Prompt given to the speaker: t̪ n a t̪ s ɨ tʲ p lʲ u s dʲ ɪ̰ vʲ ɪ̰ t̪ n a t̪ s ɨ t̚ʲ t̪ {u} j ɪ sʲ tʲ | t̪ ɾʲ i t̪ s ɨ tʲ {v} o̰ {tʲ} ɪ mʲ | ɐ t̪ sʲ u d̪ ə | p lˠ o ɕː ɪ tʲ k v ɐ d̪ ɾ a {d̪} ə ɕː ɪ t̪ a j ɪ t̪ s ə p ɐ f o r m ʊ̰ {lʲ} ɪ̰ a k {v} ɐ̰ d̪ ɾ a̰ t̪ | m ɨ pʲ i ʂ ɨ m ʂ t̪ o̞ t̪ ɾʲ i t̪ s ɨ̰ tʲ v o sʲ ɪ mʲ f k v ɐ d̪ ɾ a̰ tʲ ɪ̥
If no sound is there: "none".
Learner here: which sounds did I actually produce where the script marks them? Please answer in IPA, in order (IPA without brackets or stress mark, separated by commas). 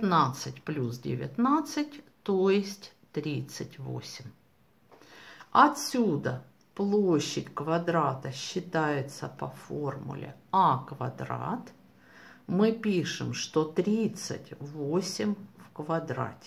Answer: o, v, sʲ, t̪, lʲ, v